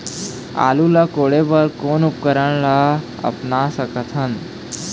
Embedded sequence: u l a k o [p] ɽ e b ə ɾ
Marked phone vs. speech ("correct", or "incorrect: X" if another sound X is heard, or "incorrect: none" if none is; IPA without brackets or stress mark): incorrect: none